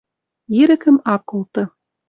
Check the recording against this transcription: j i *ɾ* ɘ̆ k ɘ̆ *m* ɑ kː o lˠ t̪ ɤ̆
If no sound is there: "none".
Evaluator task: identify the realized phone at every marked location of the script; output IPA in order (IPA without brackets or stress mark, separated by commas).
ɾ, m